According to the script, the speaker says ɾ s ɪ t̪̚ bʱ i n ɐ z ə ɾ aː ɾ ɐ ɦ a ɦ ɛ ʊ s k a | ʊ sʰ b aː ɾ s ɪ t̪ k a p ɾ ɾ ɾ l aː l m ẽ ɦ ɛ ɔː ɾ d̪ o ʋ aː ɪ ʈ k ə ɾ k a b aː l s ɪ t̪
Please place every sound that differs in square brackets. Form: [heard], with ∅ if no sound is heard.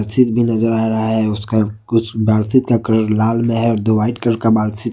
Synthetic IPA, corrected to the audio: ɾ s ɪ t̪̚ bʱ i n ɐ z ə ɾ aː ɾ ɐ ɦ a ɦ ɛ ʊ s k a | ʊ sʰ b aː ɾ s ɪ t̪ k a [k] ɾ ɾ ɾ l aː l m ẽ ɦ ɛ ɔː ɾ d̪ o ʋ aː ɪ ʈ k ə ɾ k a b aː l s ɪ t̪